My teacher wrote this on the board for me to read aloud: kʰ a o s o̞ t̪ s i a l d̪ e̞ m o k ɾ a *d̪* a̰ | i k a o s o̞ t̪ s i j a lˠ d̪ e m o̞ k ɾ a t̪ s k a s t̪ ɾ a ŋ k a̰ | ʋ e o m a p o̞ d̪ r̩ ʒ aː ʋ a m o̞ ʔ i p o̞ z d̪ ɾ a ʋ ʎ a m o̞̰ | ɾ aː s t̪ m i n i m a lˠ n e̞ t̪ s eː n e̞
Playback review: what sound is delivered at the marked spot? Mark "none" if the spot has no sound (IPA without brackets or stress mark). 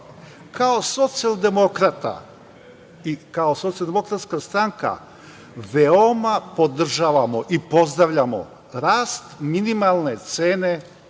t̪